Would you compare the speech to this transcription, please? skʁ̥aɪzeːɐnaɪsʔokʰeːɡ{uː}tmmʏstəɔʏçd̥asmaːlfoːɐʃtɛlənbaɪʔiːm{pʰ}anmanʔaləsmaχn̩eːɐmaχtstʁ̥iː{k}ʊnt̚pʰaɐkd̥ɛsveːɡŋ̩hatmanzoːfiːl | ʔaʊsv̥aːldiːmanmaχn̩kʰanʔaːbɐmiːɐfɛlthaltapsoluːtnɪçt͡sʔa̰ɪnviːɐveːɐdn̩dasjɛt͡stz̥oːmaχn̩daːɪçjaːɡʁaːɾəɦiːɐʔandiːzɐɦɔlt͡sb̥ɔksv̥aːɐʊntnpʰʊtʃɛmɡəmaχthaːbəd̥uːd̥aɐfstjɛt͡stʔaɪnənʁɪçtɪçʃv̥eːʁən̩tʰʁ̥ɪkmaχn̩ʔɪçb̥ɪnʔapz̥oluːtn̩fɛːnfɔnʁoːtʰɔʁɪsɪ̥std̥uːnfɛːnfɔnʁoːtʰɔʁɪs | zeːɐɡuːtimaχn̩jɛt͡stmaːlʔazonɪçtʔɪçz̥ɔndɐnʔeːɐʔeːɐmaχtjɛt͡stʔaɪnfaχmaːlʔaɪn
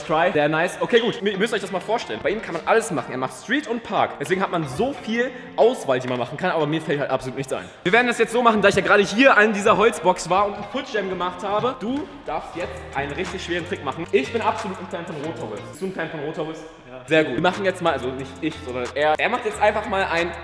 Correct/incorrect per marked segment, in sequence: correct, incorrect: kʰ, incorrect: t

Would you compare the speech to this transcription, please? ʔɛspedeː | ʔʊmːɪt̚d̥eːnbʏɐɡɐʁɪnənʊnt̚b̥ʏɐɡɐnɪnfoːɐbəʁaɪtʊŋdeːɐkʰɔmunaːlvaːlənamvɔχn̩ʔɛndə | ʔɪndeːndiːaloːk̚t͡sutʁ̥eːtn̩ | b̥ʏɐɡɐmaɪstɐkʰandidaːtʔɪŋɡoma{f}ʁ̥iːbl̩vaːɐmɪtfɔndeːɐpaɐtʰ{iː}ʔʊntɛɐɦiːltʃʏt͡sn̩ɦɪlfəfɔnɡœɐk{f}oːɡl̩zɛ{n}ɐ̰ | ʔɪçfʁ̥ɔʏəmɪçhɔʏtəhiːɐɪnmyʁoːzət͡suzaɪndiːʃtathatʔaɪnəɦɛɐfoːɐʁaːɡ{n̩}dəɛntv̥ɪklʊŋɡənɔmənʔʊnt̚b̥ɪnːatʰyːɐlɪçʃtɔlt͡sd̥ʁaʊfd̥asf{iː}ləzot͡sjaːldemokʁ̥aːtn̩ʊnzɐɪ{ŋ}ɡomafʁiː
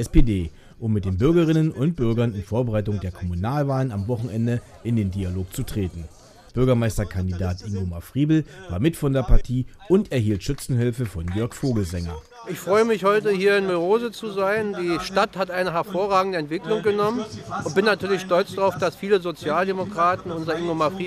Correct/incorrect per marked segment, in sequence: correct, correct, correct, incorrect: ŋ, incorrect: ŋ̩, correct, correct

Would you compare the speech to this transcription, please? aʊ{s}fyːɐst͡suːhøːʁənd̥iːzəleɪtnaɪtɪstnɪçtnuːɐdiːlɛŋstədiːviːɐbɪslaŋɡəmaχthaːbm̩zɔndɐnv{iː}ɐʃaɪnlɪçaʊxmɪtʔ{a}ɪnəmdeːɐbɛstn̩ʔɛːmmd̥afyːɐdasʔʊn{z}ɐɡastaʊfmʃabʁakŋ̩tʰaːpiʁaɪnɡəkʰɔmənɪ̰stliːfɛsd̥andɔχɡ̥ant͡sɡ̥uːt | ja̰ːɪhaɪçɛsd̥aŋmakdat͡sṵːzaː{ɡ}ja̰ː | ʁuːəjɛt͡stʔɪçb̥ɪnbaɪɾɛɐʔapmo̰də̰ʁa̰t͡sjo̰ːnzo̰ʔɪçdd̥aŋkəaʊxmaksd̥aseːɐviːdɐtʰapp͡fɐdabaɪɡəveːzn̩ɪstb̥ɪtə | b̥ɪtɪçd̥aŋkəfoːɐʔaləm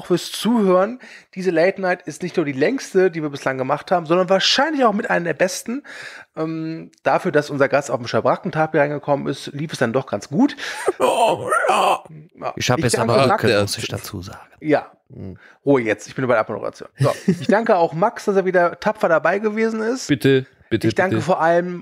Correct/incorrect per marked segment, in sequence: incorrect: x, incorrect: aː, correct, correct, correct

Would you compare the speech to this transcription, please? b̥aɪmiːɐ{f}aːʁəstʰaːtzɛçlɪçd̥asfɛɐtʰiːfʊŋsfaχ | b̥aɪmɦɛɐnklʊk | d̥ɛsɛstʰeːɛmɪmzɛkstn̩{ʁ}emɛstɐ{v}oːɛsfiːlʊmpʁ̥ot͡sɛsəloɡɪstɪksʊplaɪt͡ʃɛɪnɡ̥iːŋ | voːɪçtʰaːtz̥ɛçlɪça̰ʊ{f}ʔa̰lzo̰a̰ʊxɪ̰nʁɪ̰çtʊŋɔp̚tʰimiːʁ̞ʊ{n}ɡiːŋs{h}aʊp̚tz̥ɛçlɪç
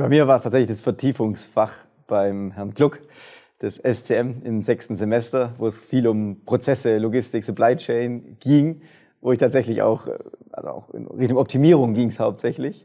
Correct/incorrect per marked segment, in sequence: incorrect: v, incorrect: z, correct, incorrect: x, incorrect: ŋ, correct

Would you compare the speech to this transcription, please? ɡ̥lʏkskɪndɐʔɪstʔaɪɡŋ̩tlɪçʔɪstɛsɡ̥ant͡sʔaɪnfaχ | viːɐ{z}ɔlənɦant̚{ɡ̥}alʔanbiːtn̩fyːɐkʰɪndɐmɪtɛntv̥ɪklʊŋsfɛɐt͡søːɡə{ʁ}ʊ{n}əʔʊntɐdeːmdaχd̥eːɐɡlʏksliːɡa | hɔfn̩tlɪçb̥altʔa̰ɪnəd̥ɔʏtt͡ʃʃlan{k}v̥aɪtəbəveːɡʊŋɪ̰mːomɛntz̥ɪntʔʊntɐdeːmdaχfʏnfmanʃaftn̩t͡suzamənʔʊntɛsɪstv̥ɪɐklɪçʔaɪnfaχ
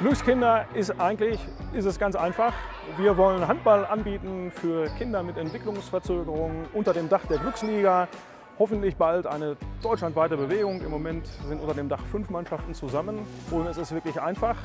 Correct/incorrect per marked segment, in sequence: incorrect: v, incorrect: b̥, correct, incorrect: ŋ, incorrect: t

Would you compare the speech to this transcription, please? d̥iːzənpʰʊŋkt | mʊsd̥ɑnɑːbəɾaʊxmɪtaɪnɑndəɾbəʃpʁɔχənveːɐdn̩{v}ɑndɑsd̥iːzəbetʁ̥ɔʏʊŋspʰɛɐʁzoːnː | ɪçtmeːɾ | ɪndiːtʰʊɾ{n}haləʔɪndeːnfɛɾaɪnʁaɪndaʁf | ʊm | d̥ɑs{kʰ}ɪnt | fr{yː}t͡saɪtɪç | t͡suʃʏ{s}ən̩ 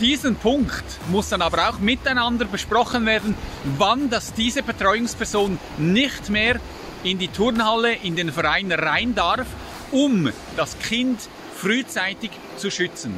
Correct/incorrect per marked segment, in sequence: correct, correct, correct, correct, incorrect: t͡s

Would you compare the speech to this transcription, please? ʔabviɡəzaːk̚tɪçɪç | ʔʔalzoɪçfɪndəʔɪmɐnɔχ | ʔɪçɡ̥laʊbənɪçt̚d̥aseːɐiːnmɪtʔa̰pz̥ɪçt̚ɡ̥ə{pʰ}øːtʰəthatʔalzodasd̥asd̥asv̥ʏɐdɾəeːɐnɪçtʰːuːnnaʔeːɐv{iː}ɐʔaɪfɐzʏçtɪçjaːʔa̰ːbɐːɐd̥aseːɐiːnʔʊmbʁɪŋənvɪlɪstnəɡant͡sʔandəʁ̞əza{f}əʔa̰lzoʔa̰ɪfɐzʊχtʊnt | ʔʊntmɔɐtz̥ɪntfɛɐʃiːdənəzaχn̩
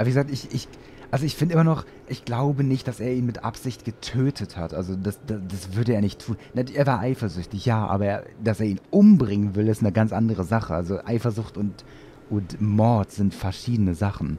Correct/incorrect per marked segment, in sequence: incorrect: tʰ, incorrect: aː, incorrect: χ

